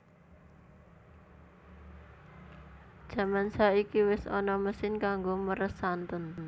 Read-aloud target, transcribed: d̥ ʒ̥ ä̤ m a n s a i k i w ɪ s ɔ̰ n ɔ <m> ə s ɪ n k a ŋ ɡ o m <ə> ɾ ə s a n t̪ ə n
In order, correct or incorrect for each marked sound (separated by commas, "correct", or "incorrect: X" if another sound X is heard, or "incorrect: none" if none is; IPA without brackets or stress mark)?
correct, correct